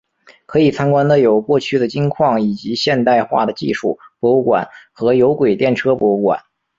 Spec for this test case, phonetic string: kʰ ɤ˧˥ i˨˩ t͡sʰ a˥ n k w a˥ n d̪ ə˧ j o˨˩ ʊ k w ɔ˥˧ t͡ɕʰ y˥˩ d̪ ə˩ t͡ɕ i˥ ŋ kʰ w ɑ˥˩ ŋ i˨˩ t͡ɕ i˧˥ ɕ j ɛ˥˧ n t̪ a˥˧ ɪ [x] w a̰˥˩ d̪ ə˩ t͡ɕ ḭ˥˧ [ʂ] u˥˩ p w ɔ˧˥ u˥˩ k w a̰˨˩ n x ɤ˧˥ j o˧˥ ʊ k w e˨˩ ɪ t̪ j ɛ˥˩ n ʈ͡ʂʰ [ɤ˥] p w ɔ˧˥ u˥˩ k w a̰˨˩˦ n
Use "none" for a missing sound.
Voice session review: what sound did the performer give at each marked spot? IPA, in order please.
x, ʂ, ɤ˥

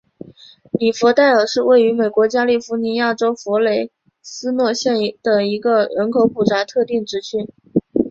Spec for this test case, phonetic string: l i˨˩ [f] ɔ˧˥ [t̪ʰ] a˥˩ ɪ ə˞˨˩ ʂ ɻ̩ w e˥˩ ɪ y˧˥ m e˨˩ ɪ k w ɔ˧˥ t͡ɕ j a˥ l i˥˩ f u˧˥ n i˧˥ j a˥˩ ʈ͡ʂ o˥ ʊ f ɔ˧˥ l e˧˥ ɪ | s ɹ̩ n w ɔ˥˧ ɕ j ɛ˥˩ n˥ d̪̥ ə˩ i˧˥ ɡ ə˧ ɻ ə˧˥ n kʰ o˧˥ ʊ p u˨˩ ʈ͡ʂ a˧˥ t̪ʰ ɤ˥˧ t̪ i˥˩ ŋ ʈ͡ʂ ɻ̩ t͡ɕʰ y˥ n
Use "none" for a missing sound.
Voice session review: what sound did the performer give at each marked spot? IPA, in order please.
f, t̪

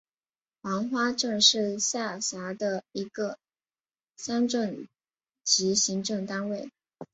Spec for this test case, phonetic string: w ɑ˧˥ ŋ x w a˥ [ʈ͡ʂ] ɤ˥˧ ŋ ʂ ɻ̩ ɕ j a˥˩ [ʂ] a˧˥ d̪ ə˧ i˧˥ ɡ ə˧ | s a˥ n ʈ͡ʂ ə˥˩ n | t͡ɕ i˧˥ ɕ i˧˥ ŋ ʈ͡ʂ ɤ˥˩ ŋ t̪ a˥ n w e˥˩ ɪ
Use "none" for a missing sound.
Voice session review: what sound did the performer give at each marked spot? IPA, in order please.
ʈ͡ʂ, ɕ

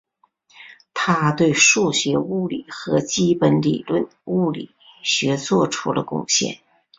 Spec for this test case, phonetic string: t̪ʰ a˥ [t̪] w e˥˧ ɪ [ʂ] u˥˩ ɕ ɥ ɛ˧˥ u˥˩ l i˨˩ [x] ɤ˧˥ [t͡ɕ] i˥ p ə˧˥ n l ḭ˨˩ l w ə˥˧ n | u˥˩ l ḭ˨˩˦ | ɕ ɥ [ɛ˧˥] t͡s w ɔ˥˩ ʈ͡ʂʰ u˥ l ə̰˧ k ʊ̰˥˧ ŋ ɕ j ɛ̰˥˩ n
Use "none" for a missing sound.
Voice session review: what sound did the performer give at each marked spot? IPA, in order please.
t̪, ʂ, x, t͡ɕ, ɛ˧˥

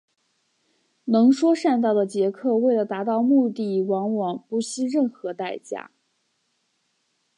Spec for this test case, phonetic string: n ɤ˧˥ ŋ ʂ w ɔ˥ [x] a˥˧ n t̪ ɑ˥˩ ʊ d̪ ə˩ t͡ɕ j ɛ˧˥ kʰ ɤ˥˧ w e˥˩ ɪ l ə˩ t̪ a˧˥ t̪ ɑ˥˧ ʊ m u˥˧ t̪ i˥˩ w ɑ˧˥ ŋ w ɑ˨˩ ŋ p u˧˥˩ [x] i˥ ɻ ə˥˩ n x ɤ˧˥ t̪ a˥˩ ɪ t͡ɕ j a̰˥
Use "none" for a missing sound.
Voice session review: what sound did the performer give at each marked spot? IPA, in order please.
ʂ, ɕ

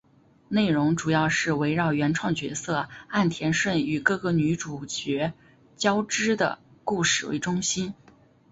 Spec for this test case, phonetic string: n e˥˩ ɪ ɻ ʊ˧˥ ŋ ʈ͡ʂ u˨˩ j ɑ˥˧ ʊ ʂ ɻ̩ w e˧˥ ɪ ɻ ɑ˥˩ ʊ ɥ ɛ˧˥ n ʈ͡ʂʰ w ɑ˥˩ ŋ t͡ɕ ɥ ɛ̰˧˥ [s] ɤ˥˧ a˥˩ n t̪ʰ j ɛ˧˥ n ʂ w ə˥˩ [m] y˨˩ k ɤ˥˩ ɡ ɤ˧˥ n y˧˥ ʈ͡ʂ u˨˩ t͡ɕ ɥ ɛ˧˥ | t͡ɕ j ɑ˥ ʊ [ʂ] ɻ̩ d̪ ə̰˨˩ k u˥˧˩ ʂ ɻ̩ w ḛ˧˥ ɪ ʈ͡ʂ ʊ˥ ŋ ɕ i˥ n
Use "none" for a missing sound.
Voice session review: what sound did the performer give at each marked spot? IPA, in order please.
s, n, ʈ͡ʂ

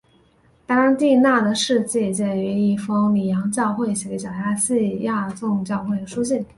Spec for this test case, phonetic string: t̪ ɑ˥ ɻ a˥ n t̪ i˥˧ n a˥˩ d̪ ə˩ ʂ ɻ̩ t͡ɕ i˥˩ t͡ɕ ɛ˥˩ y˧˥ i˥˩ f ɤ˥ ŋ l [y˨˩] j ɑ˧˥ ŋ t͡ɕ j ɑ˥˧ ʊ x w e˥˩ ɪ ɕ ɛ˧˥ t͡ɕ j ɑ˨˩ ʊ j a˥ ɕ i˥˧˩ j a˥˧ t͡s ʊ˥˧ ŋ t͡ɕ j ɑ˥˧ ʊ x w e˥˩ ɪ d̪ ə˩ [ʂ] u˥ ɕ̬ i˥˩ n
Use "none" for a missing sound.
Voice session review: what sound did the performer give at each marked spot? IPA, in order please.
i˨˩, ʂ

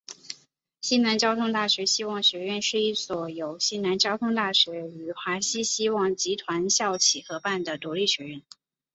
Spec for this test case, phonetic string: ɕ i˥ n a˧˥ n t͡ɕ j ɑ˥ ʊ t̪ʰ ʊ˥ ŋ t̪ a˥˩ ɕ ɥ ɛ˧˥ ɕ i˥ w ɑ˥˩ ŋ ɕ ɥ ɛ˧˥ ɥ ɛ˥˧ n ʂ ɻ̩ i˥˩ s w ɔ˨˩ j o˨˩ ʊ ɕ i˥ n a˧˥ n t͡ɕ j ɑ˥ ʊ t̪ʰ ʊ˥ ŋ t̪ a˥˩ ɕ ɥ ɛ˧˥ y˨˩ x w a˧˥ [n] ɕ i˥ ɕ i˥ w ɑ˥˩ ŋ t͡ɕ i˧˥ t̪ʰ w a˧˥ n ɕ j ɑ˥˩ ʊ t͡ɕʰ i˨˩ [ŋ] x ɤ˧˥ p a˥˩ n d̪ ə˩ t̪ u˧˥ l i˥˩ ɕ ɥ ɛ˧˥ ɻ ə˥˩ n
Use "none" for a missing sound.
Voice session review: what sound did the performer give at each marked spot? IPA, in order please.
none, none

